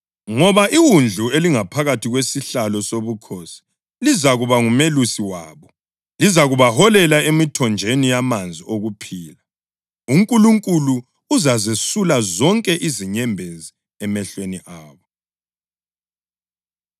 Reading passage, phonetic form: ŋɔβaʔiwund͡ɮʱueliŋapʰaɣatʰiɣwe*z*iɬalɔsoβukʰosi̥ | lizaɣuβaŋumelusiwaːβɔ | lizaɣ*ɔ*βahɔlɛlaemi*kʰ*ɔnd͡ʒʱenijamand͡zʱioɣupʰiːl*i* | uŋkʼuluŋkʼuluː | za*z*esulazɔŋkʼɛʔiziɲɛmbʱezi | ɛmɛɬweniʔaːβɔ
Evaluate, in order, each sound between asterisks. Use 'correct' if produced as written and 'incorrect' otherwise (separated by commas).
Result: incorrect, incorrect, incorrect, incorrect, correct